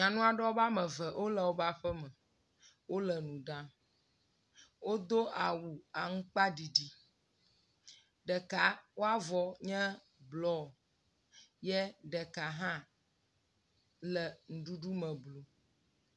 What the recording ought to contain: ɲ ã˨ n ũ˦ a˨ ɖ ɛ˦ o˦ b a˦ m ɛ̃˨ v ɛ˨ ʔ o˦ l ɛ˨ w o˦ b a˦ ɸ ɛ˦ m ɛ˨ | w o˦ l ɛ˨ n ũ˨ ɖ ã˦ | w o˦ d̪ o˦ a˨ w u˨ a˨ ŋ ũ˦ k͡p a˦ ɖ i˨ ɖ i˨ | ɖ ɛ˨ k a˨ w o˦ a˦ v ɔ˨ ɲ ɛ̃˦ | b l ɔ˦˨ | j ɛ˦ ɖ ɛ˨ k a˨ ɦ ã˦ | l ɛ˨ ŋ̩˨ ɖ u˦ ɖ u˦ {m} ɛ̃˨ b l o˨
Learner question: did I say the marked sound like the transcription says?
yes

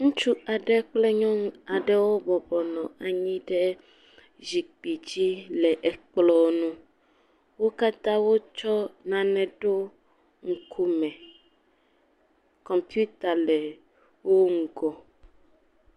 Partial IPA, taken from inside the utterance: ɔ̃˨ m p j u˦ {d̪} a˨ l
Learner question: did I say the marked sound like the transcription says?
no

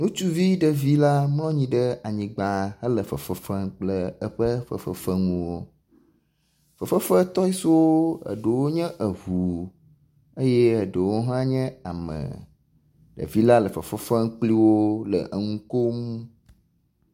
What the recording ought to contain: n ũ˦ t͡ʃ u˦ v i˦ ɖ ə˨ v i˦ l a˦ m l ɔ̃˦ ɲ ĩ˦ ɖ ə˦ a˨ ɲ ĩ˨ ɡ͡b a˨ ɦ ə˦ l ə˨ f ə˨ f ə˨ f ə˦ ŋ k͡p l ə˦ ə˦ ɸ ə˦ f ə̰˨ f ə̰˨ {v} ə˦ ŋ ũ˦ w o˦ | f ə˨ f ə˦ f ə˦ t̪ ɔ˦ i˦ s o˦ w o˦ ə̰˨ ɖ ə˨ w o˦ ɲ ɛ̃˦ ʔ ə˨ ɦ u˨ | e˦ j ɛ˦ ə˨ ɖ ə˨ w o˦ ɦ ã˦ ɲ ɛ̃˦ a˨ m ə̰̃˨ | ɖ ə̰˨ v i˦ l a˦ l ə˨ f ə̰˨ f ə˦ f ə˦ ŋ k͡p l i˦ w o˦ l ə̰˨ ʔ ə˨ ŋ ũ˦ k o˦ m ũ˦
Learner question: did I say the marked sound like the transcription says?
no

